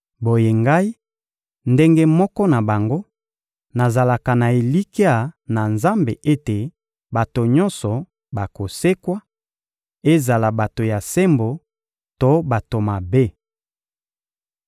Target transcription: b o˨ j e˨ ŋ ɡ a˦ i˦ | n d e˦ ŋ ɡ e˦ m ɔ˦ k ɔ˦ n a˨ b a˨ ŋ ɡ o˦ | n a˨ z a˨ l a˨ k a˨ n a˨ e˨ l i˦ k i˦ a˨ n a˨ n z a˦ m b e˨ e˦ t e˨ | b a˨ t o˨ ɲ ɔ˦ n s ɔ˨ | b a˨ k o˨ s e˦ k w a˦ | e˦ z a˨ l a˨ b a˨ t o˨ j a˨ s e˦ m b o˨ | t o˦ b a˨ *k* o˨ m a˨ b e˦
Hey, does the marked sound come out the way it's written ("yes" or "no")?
no